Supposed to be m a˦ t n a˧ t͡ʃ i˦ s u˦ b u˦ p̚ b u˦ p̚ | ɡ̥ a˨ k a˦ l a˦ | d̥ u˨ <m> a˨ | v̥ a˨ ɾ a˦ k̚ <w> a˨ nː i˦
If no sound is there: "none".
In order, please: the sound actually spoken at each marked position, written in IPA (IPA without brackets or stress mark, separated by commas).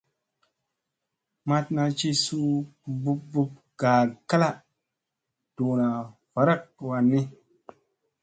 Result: n, w